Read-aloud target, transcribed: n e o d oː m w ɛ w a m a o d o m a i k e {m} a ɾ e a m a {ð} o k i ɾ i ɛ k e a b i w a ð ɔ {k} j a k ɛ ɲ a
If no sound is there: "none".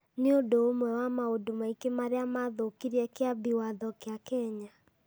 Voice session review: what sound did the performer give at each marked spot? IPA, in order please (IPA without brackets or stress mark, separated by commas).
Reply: m, ð, k